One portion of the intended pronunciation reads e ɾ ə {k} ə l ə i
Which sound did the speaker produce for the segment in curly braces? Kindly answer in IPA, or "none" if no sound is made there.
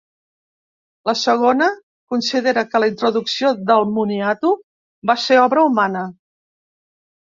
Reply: k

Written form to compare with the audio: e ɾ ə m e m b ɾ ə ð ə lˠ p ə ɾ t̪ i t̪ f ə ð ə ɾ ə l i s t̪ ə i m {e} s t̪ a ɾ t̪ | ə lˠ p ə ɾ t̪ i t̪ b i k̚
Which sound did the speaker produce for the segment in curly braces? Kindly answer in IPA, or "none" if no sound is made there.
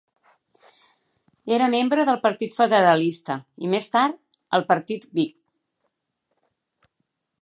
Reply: e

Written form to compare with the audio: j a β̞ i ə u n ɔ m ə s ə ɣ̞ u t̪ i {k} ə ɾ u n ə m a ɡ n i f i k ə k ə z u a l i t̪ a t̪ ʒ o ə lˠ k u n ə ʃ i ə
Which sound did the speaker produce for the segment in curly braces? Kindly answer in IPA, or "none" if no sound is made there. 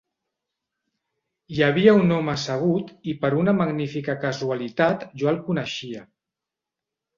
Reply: p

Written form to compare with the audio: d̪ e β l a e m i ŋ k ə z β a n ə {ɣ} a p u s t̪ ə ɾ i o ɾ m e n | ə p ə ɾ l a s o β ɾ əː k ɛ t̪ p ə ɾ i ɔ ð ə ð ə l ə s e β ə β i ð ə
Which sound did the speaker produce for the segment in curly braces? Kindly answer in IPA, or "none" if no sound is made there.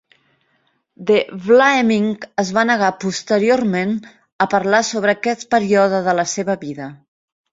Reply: ɣ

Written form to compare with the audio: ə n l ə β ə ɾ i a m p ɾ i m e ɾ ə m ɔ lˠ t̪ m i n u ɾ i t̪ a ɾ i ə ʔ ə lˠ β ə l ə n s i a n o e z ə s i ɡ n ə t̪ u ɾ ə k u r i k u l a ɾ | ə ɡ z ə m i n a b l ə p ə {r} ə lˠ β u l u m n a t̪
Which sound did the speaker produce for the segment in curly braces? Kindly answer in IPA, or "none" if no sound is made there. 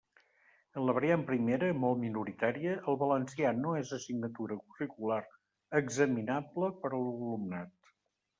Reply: ɾ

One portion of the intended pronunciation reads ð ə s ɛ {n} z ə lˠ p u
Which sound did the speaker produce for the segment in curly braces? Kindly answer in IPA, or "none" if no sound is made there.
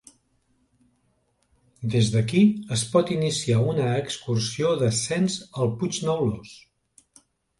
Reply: n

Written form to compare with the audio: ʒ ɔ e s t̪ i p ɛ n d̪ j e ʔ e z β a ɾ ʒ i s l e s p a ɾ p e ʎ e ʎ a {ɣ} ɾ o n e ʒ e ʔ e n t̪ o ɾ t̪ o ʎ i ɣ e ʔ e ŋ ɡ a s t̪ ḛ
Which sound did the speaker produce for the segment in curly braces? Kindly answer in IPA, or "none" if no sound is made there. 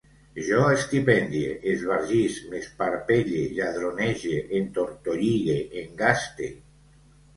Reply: ð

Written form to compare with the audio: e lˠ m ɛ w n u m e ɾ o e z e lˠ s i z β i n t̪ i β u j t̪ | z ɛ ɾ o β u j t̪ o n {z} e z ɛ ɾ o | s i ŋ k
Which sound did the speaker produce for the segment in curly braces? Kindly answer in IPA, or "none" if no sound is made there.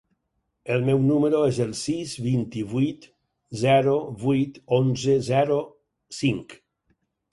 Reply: z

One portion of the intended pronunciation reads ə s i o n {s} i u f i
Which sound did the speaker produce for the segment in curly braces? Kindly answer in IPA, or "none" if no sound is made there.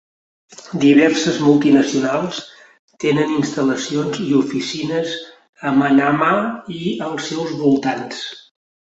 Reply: z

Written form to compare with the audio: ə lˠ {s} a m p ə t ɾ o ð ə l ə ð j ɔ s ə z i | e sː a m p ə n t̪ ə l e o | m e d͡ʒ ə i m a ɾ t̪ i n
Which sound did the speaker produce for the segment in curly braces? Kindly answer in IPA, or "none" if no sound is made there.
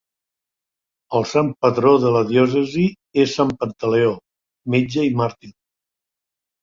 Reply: s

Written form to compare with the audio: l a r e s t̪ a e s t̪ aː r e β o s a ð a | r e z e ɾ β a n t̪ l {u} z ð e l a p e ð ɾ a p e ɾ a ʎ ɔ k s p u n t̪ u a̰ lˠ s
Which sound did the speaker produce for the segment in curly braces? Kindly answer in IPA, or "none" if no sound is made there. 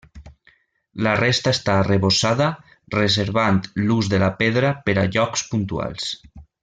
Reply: u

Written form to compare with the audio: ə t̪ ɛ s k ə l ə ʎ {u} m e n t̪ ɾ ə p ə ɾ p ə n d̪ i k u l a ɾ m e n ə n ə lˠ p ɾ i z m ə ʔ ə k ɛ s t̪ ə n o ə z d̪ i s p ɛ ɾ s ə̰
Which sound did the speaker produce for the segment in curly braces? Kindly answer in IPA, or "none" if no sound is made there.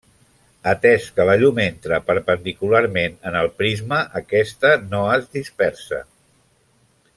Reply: u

